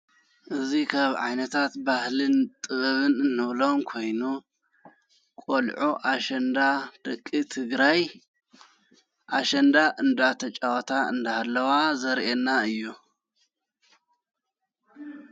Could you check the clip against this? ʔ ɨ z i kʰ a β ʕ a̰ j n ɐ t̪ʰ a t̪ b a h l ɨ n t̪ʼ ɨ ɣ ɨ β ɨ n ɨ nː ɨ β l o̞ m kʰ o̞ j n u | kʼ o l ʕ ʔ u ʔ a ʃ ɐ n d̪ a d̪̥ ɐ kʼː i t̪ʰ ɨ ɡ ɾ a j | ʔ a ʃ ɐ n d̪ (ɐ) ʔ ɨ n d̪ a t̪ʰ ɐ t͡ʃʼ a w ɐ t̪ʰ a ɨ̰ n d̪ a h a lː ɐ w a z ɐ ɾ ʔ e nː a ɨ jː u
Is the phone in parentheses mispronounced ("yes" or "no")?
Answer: yes